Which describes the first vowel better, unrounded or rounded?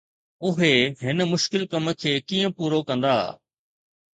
rounded